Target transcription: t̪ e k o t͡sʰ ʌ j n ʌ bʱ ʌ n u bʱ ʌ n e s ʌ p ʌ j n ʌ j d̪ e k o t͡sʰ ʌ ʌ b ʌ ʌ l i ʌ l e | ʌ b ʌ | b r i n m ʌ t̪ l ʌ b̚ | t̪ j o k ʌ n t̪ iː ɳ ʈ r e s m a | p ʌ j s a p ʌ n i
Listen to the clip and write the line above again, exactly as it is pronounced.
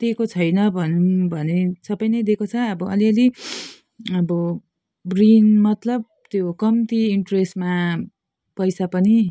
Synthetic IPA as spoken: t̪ e k o t͡sʰ ʌ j n ʌ bʱ ʌ n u bʱ ʌ n e s ʌ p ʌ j n ʌ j d̪ e k o t͡sʰ ʌ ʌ b ʌ ʌ l i ʌ l i | ʌ b ʌ | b r i n m ʌ t̪ l ʌ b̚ | t̪ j o k ʌ m t̪ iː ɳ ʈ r e s m a | p ʌ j s a p ʌ n i